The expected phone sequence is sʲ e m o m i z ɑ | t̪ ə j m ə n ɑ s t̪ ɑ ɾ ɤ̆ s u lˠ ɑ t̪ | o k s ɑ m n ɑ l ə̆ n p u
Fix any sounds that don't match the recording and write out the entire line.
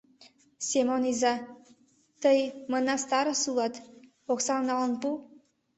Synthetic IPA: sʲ e m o n i z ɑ | t̪ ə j m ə n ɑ s t̪ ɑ ɾ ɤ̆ s u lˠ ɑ t̪ | o k s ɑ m n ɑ l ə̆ n p u